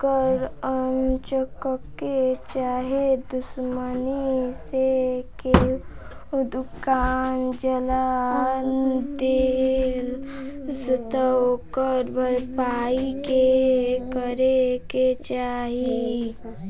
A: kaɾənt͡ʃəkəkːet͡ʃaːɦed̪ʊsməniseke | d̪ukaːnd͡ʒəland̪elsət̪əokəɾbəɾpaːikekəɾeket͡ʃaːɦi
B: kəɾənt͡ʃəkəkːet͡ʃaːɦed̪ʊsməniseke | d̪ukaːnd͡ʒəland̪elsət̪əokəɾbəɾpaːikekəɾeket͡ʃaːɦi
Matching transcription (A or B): B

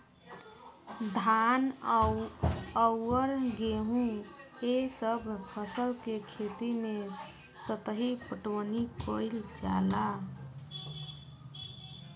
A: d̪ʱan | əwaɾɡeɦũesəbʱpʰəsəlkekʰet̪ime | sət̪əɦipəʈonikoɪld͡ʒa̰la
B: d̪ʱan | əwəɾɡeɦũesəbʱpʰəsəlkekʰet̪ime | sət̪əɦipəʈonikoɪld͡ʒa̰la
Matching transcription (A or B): B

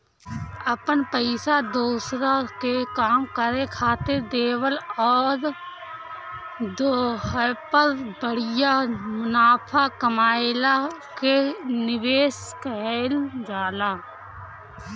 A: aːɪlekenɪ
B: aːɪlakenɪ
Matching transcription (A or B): B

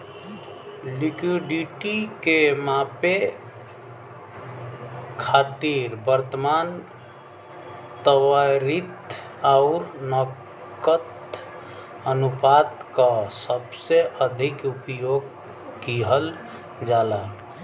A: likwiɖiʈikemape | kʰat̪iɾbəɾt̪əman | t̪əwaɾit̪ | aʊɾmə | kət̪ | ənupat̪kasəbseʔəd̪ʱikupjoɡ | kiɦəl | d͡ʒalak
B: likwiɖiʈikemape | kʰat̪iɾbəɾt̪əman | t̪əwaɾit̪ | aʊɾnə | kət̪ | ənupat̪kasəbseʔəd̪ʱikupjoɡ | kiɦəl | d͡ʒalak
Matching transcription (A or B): B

